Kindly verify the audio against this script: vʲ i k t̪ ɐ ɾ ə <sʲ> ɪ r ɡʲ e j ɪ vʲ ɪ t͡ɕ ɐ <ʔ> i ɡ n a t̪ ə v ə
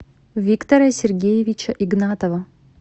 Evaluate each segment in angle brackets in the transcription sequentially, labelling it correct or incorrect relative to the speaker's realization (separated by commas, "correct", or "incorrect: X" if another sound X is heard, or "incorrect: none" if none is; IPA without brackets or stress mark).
correct, correct